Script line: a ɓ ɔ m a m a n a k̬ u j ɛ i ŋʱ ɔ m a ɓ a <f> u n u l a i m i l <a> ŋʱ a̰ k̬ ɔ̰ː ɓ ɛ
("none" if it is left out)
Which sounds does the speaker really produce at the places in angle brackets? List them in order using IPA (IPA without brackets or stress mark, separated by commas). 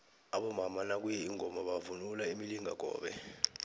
v, i